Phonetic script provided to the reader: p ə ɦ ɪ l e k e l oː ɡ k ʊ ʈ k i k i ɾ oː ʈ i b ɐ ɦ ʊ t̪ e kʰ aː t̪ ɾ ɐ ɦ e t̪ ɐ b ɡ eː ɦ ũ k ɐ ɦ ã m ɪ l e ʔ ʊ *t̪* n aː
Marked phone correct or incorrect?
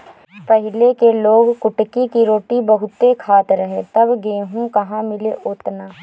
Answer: correct